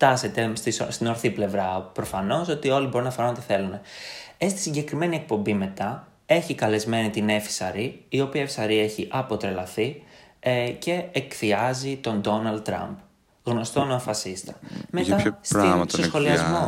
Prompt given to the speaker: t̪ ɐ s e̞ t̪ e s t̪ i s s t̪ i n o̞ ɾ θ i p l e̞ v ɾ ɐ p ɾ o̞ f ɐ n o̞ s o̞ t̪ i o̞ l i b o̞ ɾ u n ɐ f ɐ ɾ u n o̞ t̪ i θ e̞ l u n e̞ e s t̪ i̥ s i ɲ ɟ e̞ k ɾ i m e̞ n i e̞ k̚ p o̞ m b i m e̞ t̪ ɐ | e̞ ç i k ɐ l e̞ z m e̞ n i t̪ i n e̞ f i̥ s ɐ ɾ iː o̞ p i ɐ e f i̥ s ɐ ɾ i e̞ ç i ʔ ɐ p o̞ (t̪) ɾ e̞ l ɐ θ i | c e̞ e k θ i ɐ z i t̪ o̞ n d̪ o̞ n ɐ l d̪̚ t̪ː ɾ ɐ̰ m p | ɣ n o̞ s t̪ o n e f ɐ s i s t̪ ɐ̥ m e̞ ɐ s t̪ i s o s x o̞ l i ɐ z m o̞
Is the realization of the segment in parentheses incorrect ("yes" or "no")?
no